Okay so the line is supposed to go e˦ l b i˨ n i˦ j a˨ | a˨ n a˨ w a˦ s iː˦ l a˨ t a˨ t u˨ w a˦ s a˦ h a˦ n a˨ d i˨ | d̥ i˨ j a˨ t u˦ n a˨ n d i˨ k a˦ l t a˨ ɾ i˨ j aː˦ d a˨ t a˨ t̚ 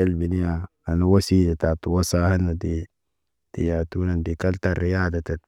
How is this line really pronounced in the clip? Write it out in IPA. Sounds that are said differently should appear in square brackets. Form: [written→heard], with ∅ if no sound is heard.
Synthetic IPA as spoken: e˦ l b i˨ n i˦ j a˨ | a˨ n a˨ w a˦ s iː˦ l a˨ t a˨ t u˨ w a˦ s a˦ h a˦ n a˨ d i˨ | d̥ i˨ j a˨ t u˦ n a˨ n d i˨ k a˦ l t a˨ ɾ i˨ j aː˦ d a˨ t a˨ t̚